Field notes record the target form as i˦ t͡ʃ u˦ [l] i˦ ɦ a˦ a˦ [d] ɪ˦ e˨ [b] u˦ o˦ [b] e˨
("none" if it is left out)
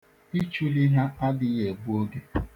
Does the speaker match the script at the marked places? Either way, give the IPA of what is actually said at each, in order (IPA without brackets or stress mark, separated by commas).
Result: l, d, b, ɡ